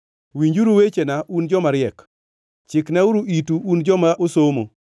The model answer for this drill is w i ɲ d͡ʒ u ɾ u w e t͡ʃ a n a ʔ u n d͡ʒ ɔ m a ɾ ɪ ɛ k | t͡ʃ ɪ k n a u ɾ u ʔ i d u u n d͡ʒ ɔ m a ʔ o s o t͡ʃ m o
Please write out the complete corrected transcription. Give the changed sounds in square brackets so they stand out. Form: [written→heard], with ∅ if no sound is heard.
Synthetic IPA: w i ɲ d͡ʒ u ɾ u w e t͡ʃ [a→e] n a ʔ u n d͡ʒ ɔ m a ɾ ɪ ɛ k | t͡ʃ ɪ k n a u ɾ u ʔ i [d→t] u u n d͡ʒ ɔ m a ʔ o s o [t͡ʃ→∅] m o